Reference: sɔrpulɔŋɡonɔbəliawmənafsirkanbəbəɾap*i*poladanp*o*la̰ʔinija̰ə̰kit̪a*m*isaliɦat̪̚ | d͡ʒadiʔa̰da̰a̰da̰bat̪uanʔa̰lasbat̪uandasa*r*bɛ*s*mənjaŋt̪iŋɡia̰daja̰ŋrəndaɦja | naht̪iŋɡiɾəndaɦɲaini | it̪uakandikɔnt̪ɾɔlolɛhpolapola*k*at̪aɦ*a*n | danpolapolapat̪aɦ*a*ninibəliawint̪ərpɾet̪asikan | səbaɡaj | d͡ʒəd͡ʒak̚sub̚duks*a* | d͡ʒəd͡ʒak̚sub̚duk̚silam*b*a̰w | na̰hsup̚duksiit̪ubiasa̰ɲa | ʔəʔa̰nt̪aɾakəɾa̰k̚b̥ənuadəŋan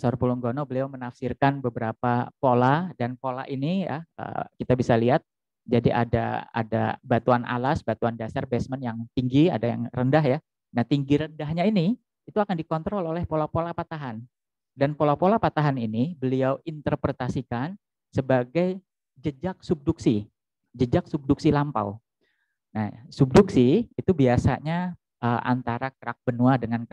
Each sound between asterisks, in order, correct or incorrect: incorrect: a, correct, incorrect: b, correct, correct, incorrect: p, correct, correct, incorrect: i, incorrect: p

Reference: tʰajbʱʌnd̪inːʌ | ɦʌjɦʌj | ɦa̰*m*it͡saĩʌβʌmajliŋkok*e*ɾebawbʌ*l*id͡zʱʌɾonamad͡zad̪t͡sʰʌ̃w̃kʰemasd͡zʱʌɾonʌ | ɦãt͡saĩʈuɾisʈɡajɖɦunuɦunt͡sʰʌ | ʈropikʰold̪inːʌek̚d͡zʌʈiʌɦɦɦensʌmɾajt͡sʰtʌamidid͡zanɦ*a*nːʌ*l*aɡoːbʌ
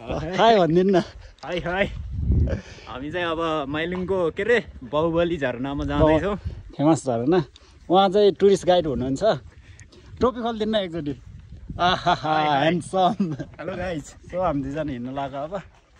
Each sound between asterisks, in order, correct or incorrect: correct, correct, correct, incorrect: i, correct

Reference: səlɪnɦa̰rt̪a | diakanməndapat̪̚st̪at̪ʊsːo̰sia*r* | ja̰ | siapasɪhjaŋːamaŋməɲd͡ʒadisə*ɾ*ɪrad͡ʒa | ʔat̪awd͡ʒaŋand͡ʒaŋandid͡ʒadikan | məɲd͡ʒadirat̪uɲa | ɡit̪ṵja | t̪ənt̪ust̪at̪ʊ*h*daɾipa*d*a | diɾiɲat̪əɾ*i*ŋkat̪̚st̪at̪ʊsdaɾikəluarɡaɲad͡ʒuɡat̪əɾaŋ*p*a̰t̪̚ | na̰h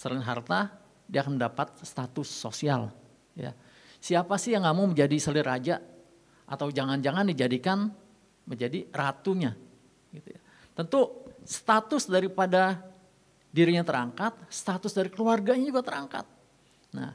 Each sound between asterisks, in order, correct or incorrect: incorrect: l, incorrect: l, incorrect: s, correct, incorrect: a, incorrect: k

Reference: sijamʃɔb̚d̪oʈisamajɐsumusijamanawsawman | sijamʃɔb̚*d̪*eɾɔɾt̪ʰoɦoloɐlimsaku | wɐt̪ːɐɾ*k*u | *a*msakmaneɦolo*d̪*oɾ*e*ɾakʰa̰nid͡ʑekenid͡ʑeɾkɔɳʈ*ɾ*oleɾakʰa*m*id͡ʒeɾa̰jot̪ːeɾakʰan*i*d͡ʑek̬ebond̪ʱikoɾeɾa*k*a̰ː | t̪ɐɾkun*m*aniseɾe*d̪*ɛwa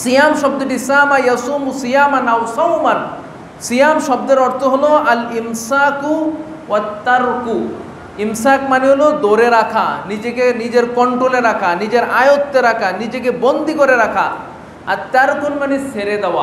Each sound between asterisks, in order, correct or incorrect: correct, correct, incorrect: i, correct, correct, correct, incorrect: n, correct, incorrect: kʰ, correct, correct

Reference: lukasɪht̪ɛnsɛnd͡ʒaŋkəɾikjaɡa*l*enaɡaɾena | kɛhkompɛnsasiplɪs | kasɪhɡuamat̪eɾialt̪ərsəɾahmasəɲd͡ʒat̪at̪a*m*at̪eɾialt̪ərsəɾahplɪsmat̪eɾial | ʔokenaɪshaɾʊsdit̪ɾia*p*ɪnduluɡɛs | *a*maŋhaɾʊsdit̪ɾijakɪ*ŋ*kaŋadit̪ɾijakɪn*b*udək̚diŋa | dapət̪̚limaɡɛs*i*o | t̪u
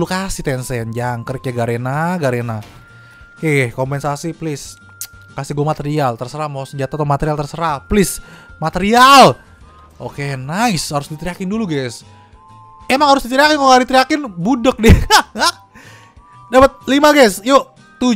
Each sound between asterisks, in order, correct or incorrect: incorrect: ɾ, correct, incorrect: k, incorrect: e, incorrect: n, correct, incorrect: j

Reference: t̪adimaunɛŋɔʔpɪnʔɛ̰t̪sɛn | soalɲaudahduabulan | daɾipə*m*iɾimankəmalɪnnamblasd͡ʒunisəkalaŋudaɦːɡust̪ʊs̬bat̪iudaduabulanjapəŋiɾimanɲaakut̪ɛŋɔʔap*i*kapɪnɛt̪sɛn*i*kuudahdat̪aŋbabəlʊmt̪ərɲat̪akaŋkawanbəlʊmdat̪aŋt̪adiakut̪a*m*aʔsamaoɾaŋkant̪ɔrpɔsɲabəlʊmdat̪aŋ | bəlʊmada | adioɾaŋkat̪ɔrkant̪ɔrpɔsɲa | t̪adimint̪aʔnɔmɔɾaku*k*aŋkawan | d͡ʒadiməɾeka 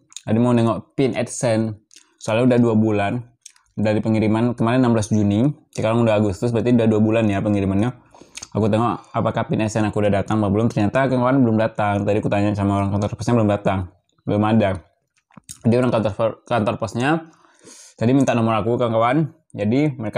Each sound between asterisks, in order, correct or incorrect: incorrect: ŋ, incorrect: a, incorrect: a, incorrect: ɲ, correct

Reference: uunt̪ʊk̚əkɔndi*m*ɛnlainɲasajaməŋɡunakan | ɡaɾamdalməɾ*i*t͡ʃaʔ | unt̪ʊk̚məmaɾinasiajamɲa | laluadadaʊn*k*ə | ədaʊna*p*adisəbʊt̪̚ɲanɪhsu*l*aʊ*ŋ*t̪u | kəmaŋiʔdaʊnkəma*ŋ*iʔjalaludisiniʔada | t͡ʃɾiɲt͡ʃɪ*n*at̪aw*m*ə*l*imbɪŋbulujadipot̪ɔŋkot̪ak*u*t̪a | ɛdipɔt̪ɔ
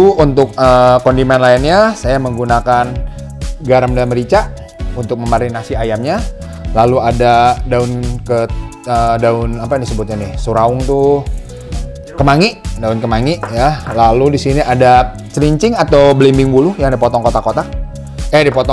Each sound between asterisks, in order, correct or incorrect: correct, correct, correct, correct, incorrect: ɾ, correct, correct, incorrect: ŋ, incorrect: b, correct, incorrect: o

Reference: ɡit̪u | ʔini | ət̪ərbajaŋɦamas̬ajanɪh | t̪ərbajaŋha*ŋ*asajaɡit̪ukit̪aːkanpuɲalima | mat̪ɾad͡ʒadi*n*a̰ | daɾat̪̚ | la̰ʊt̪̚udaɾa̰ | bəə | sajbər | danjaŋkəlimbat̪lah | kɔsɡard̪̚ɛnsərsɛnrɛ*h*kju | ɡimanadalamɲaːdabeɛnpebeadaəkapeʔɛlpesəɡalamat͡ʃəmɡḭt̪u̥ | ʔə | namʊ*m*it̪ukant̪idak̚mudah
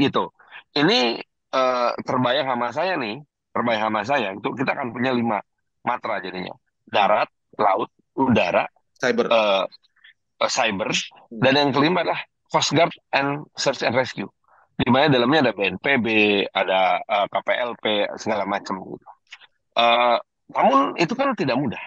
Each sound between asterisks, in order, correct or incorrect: incorrect: m, incorrect: ɲ, incorrect: s, incorrect: n

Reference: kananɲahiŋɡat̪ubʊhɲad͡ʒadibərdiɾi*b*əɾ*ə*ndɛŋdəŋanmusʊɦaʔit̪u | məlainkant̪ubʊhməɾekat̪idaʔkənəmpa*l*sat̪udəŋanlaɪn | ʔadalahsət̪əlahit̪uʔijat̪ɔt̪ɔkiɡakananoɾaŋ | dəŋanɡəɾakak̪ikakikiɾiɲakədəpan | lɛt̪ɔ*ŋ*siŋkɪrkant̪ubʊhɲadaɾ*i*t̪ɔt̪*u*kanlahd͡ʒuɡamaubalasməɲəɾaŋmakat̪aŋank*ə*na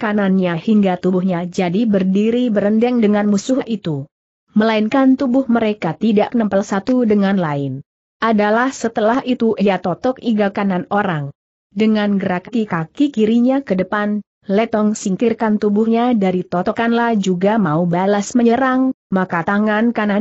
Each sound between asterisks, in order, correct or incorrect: correct, correct, correct, correct, correct, incorrect: ɔ, incorrect: a

